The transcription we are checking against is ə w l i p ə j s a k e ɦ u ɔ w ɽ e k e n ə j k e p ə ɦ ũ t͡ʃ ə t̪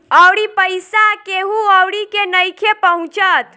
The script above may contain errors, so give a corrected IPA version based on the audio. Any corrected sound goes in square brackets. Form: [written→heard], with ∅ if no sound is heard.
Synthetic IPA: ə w [l→ɽ] i p ə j s a k e ɦ u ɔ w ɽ [e→i] k e n ə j [k→kʰ] e p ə ɦ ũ t͡ʃ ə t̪